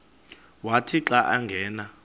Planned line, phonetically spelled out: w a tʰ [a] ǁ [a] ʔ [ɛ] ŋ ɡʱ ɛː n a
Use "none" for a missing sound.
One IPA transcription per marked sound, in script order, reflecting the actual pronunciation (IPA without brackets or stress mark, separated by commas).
i, a, a